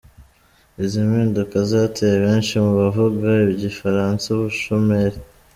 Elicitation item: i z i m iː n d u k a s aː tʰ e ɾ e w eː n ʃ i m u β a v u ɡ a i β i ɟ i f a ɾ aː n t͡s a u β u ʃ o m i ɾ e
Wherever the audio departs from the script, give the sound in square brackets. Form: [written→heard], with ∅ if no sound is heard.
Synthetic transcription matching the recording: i z i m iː n d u k a [s→z] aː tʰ e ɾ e [w→β] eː n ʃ i m u β a v u ɡ a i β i ɟ i f a ɾ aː n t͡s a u β u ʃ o m [i→e] ɾ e